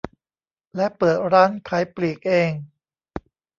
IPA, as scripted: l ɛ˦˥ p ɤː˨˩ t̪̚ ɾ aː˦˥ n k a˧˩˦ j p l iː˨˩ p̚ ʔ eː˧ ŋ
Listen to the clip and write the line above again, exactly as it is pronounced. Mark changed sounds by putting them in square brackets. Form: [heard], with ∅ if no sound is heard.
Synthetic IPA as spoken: l ɛ˦˥ p ɤː˨˩ t̪̚ ɾ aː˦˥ n [kʰ] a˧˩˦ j p l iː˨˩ [k̚] ʔ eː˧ ŋ